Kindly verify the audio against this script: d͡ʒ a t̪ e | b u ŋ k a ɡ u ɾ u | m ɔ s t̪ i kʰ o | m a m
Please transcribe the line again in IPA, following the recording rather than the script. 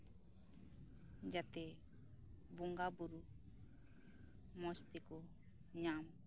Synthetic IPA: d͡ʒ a t̪ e | b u ŋ ɡ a b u ɾ u | m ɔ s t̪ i k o | ɲ a m